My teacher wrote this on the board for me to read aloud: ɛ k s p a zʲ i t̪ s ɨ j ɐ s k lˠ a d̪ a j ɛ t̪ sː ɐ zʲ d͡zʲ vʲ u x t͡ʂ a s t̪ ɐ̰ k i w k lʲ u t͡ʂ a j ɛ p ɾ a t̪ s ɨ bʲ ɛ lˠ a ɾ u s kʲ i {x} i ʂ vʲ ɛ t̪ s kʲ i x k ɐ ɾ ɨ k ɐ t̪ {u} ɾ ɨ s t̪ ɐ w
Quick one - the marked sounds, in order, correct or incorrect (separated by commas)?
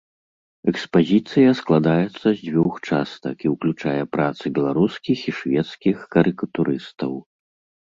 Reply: correct, correct